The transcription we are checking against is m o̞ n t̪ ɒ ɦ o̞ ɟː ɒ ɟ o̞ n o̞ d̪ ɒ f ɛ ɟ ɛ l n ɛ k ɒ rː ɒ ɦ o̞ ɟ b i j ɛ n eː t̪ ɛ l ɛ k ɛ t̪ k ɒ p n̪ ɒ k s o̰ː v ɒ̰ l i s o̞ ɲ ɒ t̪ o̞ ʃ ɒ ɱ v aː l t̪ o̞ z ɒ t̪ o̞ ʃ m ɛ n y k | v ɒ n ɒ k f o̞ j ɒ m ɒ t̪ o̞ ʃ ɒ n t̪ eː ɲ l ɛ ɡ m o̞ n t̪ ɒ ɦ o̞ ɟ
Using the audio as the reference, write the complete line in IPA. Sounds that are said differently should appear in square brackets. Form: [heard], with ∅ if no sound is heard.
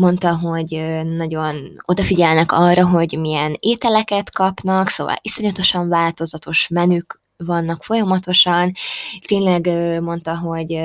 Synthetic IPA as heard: m o̞ n t̪ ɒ ɦ o̞ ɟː ɒ ɟ o̞ n o̞ d̪ ɒ f [i] ɟ ɛ l n ɛ k ɒ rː ɒ ɦ o̞ ɟ [m] i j ɛ n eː t̪ ɛ l ɛ k ɛ t̪ k ɒ p n̪ ɒ k s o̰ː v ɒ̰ l i s o̞ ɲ ɒ t̪ o̞ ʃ ɒ ɱ v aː l t̪ o̞ z ɒ t̪ o̞ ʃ m ɛ n y k | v ɒ [nː] ɒ k f o̞ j ɒ m ɒ t̪ o̞ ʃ ɒ n t̪ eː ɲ l ɛ ɡ m o̞ n t̪ ɒ ɦ o̞ ɟ